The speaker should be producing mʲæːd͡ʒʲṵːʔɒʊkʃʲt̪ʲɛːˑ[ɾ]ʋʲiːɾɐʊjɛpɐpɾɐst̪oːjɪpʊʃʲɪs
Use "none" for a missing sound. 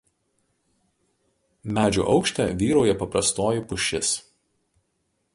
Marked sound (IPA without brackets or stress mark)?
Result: none